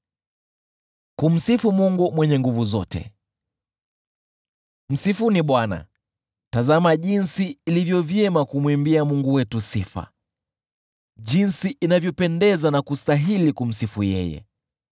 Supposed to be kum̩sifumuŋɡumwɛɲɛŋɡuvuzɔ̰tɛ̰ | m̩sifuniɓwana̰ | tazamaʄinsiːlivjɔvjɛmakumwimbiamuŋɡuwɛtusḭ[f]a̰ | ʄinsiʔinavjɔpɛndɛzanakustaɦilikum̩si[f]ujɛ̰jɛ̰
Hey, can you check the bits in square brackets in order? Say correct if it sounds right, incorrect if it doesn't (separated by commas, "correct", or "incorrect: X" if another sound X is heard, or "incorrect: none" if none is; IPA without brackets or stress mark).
correct, correct